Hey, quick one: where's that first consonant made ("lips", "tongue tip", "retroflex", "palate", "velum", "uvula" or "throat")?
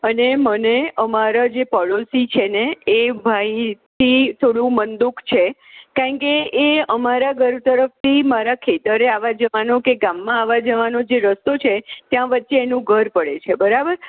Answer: tongue tip